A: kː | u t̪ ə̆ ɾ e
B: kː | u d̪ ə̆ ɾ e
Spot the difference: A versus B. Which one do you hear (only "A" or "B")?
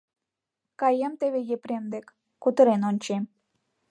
A